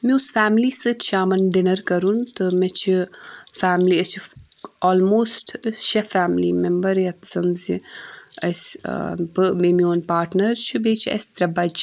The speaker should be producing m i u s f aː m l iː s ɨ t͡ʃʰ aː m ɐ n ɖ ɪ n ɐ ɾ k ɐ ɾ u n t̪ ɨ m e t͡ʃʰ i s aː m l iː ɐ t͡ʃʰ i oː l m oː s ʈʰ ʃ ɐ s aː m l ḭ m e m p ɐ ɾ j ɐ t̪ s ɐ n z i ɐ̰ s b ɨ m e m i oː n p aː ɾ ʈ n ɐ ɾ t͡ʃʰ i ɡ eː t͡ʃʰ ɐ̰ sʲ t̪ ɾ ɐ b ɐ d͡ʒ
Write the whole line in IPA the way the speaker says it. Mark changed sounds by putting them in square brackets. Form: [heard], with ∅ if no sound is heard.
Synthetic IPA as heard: m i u s f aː m l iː s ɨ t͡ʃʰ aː m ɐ n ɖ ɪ n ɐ ɾ k ɐ ɾ u n t̪ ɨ m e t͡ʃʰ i [f] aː m l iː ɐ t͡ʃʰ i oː l m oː s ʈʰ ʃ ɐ [f] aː m l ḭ m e m [b] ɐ ɾ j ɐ t̪ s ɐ n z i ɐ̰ s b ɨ m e m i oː n p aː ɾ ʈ n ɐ ɾ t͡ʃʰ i [b] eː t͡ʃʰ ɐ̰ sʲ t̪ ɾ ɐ b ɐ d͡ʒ